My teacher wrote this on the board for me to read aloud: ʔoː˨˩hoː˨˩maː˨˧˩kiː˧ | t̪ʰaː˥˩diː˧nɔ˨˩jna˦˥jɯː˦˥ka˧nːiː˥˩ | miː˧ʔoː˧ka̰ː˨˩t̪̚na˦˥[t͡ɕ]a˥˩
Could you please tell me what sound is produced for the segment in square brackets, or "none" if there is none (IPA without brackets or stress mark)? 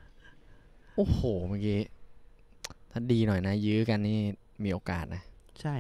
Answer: t͡ɕʰ